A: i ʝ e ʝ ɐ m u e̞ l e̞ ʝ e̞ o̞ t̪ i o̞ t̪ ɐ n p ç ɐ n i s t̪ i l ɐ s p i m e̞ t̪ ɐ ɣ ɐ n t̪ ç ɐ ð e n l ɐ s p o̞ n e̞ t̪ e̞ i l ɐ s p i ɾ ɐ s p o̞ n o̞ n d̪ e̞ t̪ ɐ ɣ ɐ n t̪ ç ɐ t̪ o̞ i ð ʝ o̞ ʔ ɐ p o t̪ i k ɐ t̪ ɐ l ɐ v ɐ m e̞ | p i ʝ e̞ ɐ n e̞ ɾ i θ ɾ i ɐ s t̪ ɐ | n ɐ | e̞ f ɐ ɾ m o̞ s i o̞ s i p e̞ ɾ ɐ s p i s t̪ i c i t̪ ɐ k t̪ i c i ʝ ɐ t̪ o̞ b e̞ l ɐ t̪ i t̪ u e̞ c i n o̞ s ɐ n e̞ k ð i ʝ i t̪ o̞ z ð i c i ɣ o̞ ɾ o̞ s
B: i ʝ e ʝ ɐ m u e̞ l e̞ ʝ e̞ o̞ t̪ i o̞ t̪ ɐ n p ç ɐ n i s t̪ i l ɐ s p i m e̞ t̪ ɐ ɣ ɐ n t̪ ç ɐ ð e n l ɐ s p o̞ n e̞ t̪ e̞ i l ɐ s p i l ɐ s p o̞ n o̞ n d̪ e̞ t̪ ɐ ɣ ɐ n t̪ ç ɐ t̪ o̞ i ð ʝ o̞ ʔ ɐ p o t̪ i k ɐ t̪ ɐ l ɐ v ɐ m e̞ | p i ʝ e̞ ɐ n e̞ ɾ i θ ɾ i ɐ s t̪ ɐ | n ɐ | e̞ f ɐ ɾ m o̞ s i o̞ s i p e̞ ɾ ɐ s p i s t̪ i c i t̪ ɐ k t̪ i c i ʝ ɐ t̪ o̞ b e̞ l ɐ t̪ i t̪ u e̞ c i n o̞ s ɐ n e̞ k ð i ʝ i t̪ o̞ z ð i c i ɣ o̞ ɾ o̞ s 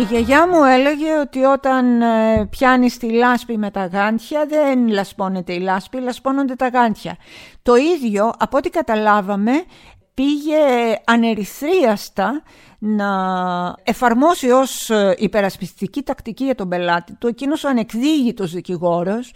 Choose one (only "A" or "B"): B